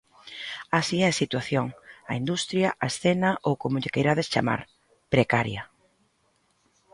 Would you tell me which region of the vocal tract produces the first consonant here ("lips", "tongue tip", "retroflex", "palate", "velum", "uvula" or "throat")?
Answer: tongue tip